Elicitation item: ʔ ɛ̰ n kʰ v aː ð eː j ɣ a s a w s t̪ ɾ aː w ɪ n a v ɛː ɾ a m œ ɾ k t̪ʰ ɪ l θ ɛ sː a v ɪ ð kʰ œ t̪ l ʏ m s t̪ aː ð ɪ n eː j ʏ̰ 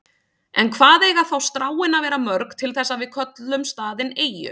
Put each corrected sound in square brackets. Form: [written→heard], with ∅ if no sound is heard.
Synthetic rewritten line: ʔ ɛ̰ n kʰ v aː ð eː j ɣ a [s→θ] a w s t̪ ɾ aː w ɪ n a v ɛː ɾ a m œ ɾ k t̪ʰ ɪ l θ ɛ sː a v ɪ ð kʰ œ t̪ l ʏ m s t̪ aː ð ɪ n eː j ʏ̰